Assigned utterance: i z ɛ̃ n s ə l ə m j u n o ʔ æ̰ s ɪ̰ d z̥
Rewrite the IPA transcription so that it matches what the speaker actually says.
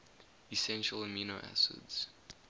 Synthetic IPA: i s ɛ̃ n ʃ ə l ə m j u n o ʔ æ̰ s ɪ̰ d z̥